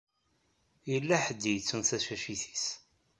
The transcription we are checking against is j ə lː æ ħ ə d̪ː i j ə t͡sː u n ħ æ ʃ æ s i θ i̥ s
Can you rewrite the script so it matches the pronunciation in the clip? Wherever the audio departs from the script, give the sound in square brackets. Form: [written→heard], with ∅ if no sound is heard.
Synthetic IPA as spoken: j ə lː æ ħ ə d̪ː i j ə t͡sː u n [ħ→θ] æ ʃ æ [s→ʃ] i θ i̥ s